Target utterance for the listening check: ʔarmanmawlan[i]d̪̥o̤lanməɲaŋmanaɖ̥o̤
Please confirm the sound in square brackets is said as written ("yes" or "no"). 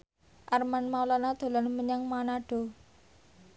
no